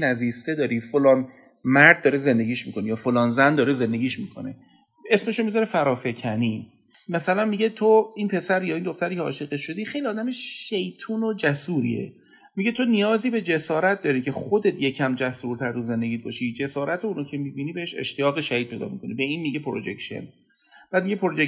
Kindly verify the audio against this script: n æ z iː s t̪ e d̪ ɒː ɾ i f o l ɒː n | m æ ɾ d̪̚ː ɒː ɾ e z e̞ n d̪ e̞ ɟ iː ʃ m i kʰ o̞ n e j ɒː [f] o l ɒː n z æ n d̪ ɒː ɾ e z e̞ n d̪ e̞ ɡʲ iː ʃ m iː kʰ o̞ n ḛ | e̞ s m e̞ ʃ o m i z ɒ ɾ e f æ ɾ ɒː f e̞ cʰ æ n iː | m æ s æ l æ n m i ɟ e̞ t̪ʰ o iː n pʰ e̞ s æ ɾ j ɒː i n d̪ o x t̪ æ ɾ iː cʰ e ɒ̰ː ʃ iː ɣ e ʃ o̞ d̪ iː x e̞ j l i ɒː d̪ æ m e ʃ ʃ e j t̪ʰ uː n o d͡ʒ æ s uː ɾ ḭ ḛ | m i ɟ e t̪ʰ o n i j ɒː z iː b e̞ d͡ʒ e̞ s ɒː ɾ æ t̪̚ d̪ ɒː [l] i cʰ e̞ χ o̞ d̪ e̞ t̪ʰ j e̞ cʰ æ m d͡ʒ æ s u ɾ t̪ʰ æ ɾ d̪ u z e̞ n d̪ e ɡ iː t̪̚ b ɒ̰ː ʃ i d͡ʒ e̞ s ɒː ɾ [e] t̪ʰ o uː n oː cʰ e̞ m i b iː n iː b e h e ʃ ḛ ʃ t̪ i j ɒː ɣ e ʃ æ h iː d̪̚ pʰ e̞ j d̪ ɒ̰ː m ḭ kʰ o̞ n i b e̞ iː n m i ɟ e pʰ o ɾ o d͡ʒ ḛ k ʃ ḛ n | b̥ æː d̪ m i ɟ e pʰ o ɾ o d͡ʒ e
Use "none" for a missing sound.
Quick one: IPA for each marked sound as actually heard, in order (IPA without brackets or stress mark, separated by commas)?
f, ɾ, æ